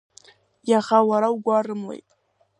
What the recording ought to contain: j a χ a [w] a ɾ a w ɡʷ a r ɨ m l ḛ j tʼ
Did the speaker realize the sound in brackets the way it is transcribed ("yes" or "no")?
yes